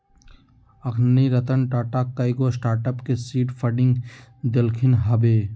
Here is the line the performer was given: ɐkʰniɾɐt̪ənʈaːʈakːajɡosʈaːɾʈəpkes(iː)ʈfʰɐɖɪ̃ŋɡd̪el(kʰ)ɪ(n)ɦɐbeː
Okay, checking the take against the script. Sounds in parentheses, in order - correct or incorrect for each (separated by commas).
correct, correct, correct